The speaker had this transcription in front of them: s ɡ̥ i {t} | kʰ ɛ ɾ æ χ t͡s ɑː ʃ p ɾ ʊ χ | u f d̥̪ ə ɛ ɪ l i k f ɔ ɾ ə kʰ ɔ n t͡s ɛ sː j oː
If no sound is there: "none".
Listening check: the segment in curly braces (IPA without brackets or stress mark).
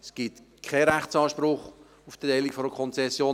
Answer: t